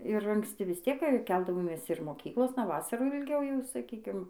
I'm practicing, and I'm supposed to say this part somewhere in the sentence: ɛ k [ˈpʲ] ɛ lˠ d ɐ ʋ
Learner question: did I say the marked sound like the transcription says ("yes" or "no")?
no